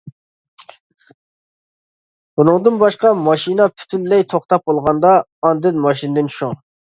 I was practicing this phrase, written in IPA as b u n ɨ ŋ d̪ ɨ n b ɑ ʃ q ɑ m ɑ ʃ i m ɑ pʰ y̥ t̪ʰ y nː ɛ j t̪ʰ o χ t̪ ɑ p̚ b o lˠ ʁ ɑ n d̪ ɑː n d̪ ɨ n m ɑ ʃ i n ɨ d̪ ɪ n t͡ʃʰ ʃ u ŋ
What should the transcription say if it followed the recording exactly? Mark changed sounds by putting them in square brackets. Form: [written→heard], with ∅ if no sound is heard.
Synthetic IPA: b u n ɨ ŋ d̪ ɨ n b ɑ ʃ q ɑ m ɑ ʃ i [m→n] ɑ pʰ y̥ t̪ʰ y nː ɛ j t̪ʰ o χ t̪ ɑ p̚ b o lˠ ʁ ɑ n d̪ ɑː n d̪ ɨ n m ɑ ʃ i n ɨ d̪ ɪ n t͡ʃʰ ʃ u ŋ